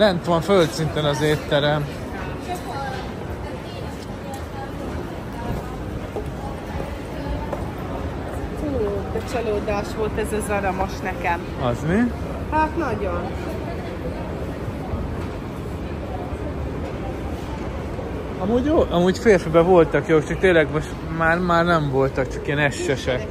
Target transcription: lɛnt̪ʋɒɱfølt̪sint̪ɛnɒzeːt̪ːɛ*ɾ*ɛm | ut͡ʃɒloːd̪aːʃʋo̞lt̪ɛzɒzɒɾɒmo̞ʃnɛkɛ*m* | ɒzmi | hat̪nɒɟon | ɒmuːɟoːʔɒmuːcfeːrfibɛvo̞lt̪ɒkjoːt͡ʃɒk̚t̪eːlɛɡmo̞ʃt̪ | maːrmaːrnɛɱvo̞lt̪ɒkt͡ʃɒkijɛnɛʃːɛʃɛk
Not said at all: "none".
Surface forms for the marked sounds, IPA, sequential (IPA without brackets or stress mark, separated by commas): ɾ, m